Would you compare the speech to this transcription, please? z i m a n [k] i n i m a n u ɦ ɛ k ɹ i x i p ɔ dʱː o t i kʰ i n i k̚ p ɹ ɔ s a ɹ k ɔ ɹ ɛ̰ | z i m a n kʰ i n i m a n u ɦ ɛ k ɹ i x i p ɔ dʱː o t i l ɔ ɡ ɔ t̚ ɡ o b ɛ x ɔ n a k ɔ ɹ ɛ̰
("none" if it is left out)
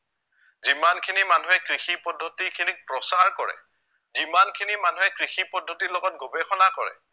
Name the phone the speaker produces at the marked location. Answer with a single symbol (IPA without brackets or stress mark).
kʰ